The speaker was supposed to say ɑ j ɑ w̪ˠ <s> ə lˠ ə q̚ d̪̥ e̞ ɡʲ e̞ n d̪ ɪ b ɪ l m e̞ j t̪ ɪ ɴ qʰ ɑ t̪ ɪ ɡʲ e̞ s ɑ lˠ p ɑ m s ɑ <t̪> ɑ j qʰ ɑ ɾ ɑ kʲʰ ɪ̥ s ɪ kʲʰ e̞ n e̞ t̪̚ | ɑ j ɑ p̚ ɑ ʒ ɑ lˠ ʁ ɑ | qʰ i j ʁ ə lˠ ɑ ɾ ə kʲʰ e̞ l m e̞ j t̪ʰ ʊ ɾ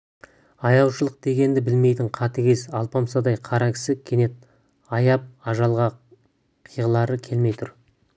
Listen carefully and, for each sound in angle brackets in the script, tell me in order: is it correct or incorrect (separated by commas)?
incorrect, incorrect